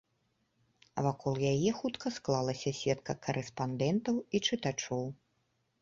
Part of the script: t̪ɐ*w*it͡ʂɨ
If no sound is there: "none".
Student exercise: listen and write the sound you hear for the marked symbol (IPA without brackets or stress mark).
w